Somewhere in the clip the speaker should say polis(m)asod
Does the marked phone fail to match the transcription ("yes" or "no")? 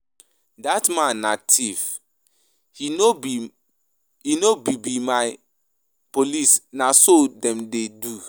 yes